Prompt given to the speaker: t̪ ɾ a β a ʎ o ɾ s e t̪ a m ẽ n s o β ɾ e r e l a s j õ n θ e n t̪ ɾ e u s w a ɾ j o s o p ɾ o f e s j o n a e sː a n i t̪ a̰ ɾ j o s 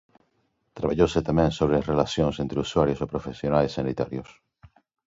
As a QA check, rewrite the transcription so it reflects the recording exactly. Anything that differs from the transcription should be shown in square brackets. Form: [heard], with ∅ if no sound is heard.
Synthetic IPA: t̪ ɾ a β a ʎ o [∅] s e t̪ a m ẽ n s o β ɾ e r e l a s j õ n [s] e n t̪ ɾ e u s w a ɾ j o s o p ɾ o f e s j o n a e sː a n i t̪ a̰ ɾ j o s